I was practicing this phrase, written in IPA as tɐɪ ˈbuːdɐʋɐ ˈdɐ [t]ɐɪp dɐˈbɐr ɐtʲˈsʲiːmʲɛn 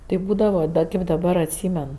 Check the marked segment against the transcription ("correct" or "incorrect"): incorrect